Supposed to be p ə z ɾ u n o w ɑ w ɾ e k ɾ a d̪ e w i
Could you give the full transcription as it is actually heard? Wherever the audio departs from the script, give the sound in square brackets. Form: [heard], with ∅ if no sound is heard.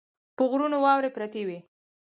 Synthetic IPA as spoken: p ə [ɣ] ɾ u n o w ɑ w ɾ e [p] ɾ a [t̪] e w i